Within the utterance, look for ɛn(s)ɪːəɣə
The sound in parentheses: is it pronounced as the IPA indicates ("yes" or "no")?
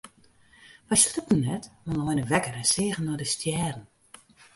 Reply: yes